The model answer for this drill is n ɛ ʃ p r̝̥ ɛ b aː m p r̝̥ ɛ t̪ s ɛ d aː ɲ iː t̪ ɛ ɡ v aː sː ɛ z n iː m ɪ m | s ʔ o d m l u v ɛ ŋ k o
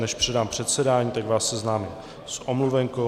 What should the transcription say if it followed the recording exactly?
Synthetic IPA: n ɛ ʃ p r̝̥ ɛ d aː m p r̝̥ ɛ t̪ s ɛ d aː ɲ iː t̪ a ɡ v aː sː ɛ z n aː m ɪ m | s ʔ o m l u v ɛ ŋ k o